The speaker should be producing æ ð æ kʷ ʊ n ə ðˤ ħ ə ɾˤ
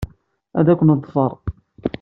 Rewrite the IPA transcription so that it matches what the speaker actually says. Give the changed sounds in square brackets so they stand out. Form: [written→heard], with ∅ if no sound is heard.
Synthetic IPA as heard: æ ð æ kʷ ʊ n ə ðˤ [ħ→f] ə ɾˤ